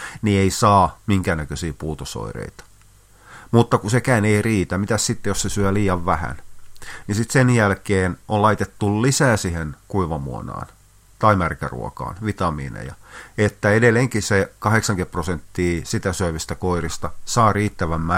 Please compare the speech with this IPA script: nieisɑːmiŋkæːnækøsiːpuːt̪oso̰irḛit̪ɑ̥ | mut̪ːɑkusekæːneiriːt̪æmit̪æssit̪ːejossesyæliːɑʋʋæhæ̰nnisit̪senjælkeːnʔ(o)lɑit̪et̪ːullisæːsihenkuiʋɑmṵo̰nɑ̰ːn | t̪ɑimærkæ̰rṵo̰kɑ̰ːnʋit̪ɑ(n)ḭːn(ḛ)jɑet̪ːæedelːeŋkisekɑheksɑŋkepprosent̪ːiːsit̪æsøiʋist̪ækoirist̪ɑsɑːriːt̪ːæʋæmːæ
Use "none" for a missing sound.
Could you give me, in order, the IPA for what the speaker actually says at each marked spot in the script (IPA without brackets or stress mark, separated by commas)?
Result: o, m, ḛ